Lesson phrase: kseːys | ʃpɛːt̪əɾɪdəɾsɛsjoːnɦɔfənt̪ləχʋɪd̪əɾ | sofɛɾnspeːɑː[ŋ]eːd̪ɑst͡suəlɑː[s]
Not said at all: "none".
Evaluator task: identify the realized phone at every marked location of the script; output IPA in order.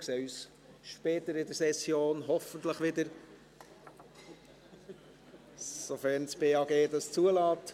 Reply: ɡ, t

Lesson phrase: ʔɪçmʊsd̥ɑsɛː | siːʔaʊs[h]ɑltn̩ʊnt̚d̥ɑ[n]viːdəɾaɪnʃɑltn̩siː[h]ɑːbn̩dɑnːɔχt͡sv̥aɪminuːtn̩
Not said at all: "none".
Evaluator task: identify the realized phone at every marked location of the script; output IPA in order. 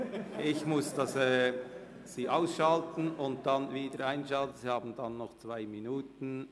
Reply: ʃ, n, h

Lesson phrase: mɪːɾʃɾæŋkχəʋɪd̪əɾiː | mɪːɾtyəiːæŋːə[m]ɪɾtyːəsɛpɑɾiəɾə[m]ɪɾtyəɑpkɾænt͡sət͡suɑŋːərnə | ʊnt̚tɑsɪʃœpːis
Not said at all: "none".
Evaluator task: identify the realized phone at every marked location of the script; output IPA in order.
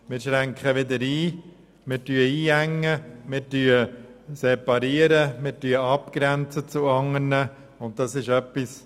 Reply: m, m

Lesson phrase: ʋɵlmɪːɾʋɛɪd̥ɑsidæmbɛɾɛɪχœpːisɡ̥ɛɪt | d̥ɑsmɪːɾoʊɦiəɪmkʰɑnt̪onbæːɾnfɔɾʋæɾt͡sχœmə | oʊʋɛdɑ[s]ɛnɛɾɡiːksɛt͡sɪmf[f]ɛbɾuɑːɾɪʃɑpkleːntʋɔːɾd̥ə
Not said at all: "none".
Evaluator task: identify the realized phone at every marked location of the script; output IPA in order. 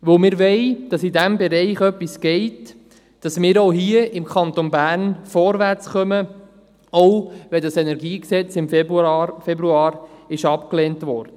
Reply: s, f

